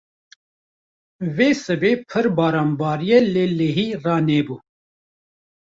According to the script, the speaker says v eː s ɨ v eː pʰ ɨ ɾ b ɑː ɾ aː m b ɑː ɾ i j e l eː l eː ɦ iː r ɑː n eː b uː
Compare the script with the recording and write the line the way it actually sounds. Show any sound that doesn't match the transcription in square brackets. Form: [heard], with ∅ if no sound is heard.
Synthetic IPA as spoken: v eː s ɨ [b] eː pʰ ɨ ɾ b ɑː ɾ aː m b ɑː ɾ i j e l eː l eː ɦ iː r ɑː n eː b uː

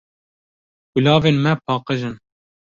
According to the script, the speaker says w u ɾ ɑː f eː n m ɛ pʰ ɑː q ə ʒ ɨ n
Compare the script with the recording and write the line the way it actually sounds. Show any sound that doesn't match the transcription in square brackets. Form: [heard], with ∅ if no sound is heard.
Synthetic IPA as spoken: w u [l] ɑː [v] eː n m ɛ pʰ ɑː q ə ʒ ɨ n

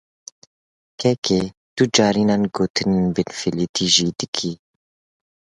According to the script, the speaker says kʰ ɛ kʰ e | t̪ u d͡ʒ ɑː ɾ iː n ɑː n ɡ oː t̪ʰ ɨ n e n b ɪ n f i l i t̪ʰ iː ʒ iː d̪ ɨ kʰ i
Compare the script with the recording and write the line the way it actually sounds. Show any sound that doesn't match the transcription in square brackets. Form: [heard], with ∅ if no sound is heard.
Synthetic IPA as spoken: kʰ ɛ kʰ e | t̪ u d͡ʒ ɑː ɾ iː n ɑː n ɡ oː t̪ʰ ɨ n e n b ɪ n f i l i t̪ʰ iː ʒ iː d̪ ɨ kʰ i

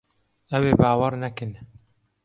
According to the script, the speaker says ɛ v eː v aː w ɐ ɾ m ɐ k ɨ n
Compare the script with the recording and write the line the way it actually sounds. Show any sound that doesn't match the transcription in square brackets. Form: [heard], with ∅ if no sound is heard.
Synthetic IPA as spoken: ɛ [w] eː [b] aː w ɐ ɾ [n] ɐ k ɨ n

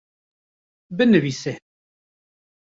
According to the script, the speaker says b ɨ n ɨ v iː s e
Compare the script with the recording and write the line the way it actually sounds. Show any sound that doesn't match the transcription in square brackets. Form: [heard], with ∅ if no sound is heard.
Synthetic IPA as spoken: b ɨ n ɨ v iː s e

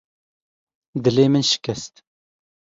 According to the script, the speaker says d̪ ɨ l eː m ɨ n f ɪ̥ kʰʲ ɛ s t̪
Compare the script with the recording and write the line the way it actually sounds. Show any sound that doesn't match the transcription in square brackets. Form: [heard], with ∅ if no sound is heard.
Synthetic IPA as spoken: d̪ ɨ l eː m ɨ n [ʃ] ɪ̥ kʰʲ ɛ s t̪

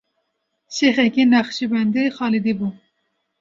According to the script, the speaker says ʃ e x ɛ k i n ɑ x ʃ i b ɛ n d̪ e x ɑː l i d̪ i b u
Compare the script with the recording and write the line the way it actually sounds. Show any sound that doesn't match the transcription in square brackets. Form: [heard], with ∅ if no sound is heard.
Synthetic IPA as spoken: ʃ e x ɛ k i n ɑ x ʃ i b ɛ n d̪ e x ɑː l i d̪ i b u

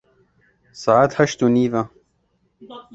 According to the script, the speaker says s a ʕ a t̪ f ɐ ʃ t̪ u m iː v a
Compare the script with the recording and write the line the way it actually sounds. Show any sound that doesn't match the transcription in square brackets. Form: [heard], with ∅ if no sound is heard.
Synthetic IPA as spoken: s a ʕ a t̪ [h] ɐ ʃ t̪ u [n] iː v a

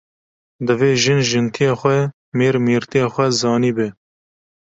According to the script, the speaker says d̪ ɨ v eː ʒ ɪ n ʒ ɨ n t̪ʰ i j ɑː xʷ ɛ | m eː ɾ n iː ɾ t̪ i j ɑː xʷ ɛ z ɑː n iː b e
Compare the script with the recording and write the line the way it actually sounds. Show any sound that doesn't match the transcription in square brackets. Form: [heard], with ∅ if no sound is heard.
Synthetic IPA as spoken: d̪ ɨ v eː ʒ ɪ n ʒ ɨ n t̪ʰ i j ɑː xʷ ɛ | m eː ɾ [m] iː ɾ t̪ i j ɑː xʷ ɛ z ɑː n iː b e

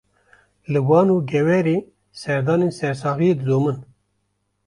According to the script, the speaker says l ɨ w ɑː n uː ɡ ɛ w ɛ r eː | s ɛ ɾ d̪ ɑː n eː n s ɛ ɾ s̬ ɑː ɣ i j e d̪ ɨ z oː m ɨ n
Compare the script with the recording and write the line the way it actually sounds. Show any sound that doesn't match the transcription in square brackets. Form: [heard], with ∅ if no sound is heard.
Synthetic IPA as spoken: l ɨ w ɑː n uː ɡ ɛ w ɛ [ɾ] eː | s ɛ ɾ d̪ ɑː n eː n s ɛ ɾ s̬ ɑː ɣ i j e d̪ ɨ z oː m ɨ n

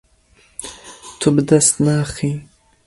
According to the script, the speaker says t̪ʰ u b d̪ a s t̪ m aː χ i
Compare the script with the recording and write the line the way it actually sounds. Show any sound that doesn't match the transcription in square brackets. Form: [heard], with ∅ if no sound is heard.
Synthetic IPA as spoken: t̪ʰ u b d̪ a s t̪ [n] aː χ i

